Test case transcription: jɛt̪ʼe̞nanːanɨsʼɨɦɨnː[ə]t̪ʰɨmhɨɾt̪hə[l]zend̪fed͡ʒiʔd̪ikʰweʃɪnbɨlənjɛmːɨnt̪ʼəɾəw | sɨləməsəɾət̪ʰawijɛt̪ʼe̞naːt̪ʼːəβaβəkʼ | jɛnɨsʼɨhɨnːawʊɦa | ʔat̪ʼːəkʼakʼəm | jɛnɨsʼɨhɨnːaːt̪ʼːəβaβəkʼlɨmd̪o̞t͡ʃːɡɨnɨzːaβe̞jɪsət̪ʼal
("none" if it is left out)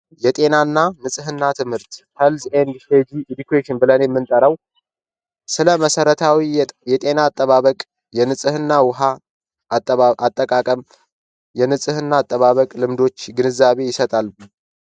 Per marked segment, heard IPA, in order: a, l

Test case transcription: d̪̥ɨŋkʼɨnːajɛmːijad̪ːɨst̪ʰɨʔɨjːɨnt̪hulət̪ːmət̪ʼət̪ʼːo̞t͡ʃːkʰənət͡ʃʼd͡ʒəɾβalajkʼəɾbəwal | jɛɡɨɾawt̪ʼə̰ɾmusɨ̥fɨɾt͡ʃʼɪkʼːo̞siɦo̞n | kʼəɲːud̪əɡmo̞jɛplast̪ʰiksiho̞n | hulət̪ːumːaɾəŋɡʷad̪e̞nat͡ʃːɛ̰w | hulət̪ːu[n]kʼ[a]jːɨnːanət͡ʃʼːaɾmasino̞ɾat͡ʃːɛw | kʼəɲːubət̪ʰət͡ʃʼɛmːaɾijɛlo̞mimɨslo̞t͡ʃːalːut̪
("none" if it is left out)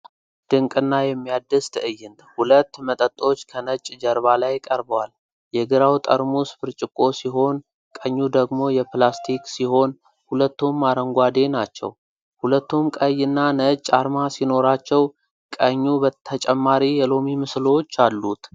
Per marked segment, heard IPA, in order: m, ə

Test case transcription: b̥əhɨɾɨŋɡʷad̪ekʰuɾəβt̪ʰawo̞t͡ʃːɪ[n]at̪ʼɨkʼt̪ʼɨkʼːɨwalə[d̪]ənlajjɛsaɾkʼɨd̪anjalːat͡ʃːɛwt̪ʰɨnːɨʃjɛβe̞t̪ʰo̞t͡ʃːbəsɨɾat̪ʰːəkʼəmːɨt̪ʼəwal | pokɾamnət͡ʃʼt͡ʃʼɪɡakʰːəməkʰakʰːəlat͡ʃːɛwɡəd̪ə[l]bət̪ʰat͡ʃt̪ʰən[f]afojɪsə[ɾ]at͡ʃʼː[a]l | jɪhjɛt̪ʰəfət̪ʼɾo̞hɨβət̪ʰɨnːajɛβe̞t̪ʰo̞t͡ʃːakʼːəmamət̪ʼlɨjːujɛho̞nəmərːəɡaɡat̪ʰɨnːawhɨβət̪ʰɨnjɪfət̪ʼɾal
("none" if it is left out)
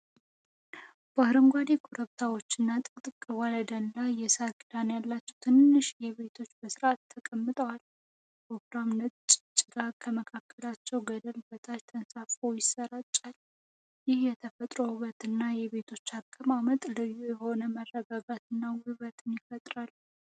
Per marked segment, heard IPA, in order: nː, d̪, l, s, ɾ, a

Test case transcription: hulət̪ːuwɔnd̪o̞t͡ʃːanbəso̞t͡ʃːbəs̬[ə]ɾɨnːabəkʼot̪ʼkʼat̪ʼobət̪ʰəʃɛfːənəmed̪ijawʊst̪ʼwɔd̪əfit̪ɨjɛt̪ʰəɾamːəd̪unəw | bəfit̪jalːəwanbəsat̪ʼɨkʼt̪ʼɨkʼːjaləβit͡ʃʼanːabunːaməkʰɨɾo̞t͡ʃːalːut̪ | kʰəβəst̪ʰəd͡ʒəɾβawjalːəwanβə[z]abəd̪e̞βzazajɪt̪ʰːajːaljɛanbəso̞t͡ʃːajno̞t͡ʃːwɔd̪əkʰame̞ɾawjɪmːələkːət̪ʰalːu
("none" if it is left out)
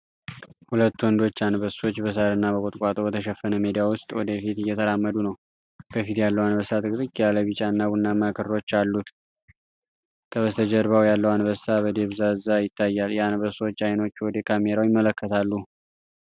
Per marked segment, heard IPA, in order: a, s

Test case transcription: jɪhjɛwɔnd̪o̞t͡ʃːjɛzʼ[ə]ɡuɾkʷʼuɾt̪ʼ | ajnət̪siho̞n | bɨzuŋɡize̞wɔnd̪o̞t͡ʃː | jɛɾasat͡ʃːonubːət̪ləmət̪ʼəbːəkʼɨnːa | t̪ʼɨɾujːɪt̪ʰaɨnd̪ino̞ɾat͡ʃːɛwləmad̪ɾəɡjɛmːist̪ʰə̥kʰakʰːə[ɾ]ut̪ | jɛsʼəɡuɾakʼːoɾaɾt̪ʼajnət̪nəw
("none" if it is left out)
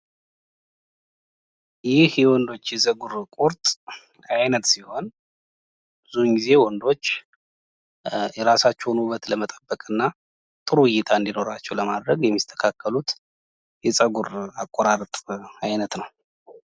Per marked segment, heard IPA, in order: ə, l

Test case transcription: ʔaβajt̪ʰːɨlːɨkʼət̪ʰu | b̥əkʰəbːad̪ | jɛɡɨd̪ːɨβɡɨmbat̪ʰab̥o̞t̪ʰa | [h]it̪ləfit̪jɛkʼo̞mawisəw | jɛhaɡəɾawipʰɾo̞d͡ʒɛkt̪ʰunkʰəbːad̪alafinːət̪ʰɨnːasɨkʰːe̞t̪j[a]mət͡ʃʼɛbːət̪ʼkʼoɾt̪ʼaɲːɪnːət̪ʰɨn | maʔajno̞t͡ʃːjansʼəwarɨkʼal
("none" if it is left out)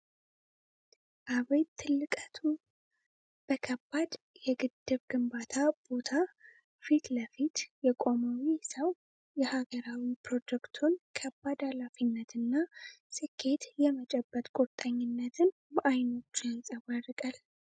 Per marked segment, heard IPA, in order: f, ɛ

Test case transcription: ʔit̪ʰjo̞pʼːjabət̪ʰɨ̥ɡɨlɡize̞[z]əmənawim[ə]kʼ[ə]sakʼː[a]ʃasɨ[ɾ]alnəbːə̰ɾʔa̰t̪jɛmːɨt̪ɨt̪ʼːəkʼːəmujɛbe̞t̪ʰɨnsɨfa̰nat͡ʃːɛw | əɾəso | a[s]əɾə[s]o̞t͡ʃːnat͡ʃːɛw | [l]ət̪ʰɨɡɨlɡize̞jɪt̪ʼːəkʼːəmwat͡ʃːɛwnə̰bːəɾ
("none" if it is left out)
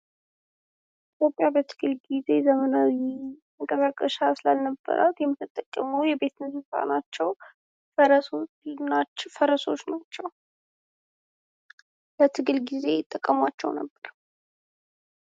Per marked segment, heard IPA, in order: z, ə, ə, ə, l, f, s, l

